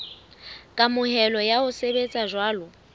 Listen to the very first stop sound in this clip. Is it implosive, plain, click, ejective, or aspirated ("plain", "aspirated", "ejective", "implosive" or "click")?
ejective